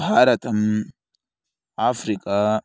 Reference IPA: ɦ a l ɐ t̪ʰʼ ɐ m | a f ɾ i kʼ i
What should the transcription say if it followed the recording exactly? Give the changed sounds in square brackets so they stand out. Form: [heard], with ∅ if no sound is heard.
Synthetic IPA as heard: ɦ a [ɾ] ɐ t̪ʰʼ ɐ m | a f ɾ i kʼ [a]